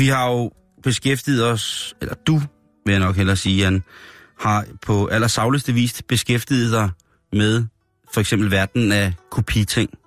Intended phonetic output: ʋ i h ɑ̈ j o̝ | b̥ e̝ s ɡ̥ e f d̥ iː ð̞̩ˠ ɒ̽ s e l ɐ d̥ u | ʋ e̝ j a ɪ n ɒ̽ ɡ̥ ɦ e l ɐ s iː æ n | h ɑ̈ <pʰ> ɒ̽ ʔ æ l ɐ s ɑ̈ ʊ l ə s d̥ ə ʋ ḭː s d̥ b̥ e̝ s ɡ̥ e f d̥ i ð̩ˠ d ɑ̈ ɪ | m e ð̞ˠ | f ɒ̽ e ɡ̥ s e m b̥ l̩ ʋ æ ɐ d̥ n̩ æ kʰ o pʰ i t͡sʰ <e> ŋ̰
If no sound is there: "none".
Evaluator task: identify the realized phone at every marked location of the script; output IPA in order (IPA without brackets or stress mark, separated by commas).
pʰ, e